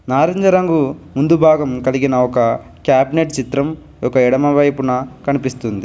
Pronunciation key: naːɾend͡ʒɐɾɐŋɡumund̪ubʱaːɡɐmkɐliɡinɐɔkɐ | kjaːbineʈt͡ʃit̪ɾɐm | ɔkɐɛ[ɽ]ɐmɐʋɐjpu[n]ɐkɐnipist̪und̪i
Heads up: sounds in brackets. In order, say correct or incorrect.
correct, correct

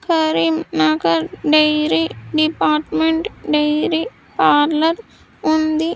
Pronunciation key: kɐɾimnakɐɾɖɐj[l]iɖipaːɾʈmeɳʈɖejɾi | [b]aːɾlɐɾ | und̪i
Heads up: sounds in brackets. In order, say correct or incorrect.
incorrect: ɾ, incorrect: p

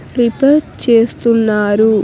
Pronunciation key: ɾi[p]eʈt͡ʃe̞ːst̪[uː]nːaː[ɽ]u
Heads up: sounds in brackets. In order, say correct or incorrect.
correct, incorrect: u, incorrect: ɾ

